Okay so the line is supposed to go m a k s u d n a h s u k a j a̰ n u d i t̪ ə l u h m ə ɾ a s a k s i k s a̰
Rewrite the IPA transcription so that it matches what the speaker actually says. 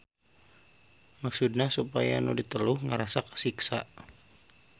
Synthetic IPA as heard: m a k s u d n a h s u p a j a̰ n u d i t̪ ə l u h ŋ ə ɾ a s a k s i k s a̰